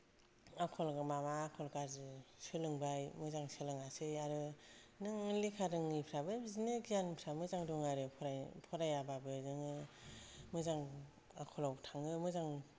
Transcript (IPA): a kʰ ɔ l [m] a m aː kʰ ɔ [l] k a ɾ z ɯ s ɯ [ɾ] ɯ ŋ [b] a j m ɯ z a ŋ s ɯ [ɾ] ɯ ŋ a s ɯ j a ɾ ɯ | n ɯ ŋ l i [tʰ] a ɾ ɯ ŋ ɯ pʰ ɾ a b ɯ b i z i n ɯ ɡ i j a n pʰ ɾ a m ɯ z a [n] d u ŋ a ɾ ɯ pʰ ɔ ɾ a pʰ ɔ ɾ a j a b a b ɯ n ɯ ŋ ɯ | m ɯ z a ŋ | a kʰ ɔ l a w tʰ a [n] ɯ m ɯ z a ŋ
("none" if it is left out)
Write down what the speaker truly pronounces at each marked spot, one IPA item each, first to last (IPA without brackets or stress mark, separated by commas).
m, l, l, b, l, kʰ, ŋ, ŋ